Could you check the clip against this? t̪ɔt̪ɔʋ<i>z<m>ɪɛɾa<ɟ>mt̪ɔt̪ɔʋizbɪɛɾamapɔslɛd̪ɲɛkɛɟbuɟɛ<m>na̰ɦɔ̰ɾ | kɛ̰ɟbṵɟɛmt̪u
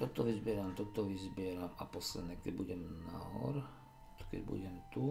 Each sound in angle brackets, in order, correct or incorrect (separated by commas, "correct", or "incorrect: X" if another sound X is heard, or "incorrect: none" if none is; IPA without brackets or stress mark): correct, incorrect: b, incorrect: none, correct